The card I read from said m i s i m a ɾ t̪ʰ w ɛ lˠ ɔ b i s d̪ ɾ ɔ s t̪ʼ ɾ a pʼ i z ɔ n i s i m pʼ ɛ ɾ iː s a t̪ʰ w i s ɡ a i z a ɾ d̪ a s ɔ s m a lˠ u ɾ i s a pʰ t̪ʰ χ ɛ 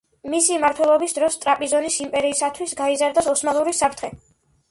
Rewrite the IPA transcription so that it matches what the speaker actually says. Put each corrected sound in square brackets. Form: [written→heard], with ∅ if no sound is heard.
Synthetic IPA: m i s i m a ɾ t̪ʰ w ɛ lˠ ɔ b i s d̪ ɾ ɔ s t̪ʼ ɾ a pʼ i z ɔ n i s i m pʼ ɛ ɾ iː s a t̪ʰ w i s ɡ a i z a ɾ d̪ a s ɔ s m a lˠ u ɾ i s a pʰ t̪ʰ χ ɛ